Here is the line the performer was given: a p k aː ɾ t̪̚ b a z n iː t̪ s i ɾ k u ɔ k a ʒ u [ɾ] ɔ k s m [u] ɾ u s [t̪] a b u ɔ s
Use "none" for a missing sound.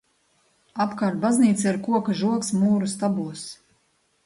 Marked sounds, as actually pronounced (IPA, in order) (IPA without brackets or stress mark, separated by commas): none, uː, t̪